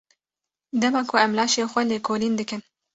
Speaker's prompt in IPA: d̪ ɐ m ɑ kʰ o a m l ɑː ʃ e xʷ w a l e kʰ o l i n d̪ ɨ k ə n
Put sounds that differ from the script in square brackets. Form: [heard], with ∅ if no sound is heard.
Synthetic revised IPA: d̪ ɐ m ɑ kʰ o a m l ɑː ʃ e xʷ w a l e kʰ o l i n d̪ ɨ k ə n